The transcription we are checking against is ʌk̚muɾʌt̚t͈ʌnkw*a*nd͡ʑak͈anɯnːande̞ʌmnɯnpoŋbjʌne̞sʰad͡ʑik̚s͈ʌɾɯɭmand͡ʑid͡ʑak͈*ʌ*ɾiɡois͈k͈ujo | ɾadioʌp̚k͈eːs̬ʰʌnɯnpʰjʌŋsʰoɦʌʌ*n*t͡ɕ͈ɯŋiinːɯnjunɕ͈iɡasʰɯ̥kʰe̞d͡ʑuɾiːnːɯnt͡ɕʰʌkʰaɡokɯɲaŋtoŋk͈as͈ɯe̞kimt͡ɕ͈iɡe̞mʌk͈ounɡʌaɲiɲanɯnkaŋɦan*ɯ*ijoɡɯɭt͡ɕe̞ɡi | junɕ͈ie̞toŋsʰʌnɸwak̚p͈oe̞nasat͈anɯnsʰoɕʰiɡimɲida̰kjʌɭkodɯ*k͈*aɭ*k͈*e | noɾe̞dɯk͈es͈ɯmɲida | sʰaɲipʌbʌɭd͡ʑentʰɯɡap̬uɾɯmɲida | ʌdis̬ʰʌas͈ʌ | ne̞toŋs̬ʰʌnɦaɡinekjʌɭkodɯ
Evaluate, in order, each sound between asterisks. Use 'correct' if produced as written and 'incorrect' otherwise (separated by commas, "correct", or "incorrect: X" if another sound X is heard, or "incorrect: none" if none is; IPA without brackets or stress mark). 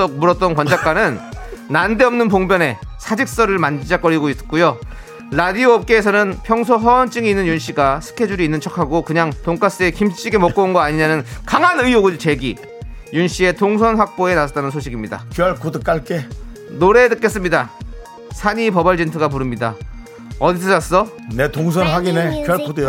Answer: incorrect: ʌ, correct, correct, correct, correct, correct